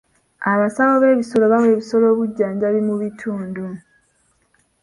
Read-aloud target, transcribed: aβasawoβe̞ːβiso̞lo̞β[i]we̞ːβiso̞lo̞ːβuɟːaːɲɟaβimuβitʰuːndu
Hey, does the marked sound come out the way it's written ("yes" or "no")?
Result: no